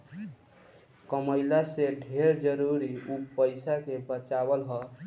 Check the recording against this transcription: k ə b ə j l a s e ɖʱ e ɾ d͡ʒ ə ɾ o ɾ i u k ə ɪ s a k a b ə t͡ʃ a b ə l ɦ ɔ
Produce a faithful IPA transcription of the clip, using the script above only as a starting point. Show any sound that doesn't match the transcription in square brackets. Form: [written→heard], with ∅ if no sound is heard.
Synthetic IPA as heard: k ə [b→m] ə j l a s e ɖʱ e ɾ d͡ʒ ə ɾ [o→u] ɾ i u [k→p] ə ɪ s a k [a→e] b ə t͡ʃ a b ə l ɦ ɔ